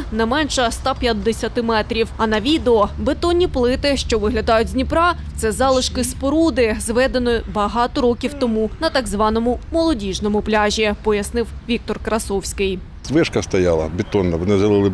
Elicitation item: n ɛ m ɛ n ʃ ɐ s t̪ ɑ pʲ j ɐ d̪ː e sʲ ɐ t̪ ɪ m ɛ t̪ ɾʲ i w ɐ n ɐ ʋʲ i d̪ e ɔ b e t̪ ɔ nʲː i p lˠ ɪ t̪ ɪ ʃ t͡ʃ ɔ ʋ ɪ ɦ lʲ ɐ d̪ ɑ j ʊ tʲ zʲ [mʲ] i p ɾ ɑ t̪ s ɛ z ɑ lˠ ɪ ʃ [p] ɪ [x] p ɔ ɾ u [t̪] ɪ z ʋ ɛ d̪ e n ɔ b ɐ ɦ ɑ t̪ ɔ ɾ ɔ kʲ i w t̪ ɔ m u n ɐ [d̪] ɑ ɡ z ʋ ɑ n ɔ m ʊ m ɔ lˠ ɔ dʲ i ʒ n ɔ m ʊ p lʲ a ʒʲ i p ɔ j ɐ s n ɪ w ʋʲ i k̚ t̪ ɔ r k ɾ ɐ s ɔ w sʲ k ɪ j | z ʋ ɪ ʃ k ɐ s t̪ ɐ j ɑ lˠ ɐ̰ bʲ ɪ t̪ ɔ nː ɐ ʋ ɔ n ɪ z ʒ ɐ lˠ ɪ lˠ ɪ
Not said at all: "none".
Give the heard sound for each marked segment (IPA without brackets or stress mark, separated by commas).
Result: nʲ, k, s, d̪, t̪